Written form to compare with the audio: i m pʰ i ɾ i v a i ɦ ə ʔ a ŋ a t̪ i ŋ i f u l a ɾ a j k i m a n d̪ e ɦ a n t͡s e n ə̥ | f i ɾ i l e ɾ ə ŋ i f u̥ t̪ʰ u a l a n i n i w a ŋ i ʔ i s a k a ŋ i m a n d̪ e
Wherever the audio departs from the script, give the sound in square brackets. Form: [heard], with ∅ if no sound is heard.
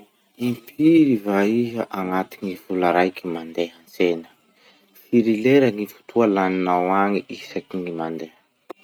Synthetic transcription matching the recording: i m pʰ i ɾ i v a i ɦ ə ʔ a ŋ a t̪ i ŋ i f u l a ɾ a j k i m a n d̪ e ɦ a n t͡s e n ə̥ | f i ɾ i l e ɾ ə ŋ i f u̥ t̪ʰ u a l a n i n [a] w a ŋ i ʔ i s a k [i] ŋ i m a n d̪ e